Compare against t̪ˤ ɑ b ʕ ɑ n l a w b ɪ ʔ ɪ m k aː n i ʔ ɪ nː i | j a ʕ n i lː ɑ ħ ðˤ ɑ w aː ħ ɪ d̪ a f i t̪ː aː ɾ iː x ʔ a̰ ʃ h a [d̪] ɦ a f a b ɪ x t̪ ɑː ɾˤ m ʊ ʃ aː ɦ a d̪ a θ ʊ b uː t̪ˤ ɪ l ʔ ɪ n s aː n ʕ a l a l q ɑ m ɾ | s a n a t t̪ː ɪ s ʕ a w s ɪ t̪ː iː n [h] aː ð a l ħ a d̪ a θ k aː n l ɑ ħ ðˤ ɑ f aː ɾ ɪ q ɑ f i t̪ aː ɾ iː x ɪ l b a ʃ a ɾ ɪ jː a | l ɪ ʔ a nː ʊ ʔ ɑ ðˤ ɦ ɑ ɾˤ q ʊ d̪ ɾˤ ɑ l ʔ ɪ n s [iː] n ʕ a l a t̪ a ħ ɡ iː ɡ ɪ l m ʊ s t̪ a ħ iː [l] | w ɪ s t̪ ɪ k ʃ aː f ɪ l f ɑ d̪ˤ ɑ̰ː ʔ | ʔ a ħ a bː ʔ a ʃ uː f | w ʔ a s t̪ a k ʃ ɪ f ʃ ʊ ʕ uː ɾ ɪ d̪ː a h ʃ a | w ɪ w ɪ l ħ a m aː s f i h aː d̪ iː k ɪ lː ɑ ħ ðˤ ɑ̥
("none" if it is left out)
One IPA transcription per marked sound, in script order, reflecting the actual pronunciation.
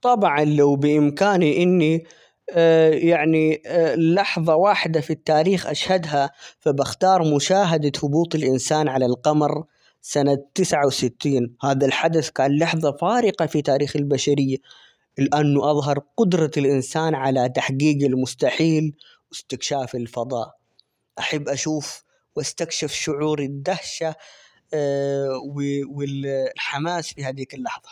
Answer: d̪, h, aː, l

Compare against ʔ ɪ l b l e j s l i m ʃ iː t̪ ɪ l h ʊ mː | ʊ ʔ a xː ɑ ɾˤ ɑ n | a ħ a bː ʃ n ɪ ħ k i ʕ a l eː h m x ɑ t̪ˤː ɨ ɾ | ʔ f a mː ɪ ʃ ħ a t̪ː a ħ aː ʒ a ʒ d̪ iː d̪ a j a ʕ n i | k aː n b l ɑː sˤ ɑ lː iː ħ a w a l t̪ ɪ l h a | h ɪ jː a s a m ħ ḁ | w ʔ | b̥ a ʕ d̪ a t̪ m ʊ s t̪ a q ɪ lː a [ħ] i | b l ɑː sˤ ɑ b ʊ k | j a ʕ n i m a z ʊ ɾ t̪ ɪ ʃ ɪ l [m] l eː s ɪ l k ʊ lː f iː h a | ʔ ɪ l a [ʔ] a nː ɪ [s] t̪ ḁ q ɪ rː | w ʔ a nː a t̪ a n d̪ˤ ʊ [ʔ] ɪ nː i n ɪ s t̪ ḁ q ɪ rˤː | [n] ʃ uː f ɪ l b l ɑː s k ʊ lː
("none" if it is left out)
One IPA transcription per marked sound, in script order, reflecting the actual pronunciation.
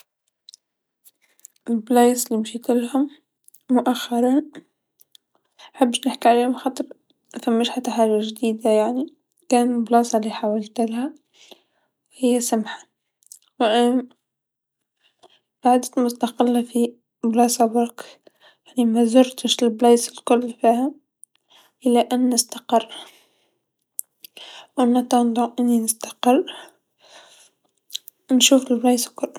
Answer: f, b, ʔ, s, ʔ, n

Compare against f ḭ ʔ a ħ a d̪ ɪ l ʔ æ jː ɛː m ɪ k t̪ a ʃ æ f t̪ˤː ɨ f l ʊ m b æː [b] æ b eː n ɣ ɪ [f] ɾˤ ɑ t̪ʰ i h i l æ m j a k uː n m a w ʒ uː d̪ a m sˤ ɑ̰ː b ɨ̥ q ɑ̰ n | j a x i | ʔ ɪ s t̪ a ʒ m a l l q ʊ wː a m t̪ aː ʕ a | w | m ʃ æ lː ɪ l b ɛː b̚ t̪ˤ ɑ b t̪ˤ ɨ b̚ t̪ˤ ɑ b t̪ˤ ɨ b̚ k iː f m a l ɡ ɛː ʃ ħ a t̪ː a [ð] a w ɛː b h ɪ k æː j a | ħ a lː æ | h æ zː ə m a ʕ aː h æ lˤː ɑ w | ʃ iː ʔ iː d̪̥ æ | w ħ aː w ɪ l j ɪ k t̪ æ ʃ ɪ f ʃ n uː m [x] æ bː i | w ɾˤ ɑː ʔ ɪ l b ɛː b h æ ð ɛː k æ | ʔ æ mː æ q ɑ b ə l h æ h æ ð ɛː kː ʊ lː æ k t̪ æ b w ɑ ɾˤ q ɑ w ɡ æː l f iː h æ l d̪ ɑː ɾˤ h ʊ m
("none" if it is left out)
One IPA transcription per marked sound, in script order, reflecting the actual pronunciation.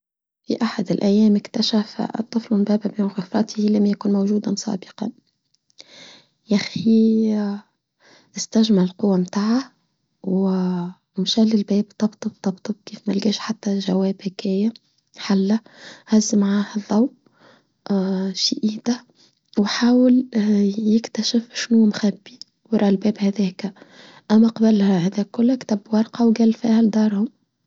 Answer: b, f, ʒ, x

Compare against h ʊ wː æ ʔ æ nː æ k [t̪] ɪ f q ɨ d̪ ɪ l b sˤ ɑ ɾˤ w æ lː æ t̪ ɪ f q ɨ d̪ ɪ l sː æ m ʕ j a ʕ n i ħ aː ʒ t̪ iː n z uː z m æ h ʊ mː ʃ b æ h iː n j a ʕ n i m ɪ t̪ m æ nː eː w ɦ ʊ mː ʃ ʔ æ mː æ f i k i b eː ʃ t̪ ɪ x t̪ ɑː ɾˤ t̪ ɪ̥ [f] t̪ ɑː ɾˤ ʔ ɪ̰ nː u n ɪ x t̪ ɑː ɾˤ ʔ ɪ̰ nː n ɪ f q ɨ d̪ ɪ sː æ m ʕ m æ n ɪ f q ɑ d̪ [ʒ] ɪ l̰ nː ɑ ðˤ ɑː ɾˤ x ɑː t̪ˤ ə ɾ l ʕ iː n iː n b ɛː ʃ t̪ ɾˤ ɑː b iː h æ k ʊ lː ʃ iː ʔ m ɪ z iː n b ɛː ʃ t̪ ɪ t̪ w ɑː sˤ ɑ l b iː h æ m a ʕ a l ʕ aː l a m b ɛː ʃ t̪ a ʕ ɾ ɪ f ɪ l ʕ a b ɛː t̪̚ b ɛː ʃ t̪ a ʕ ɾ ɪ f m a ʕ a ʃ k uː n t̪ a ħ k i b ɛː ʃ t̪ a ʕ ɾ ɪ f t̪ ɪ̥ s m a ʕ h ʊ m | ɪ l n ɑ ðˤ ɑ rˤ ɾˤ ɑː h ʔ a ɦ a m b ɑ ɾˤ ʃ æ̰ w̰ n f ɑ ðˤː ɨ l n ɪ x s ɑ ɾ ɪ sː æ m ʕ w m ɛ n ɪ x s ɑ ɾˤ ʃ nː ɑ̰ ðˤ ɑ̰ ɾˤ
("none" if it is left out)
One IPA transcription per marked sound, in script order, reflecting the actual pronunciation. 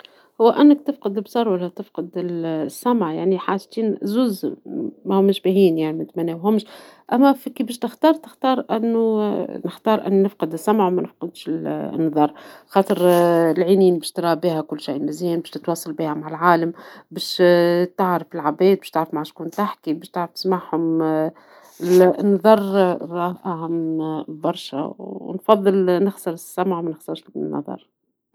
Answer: t̪, x, ʃ

